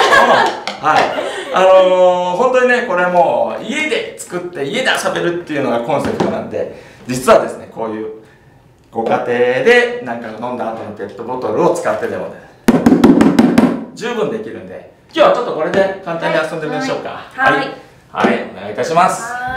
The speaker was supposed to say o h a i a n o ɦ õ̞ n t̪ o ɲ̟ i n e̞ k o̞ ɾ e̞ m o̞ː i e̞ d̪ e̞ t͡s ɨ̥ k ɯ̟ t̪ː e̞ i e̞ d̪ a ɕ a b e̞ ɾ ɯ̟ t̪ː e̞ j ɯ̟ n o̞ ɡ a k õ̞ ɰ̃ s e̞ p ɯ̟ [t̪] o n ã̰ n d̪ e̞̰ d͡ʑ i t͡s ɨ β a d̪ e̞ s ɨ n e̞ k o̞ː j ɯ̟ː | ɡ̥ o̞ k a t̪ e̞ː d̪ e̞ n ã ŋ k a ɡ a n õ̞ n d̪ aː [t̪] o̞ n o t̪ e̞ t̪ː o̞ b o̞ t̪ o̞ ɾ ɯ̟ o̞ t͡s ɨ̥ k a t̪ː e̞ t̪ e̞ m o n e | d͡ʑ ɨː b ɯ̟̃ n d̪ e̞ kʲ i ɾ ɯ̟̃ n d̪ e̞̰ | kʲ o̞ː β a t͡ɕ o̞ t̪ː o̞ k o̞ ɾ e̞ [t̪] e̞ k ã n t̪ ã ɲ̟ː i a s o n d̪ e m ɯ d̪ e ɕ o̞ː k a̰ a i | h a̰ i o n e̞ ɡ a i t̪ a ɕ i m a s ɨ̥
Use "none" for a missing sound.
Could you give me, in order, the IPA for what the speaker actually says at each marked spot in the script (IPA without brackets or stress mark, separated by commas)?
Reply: t̪, t̪, d̪